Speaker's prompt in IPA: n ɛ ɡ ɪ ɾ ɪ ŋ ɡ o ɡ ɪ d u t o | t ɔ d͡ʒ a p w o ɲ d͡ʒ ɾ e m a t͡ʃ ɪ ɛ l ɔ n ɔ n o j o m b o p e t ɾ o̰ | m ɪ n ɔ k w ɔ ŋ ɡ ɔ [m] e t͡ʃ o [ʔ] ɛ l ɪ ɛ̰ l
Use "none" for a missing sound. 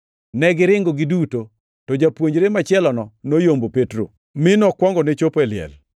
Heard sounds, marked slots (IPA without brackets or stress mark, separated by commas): n, p